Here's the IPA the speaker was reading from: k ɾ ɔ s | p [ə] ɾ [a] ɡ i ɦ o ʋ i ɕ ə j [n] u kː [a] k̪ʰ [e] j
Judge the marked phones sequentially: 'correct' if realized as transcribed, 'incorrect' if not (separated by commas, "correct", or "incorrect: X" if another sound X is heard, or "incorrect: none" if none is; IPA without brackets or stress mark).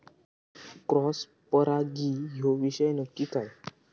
correct, correct, correct, incorrect: i, incorrect: a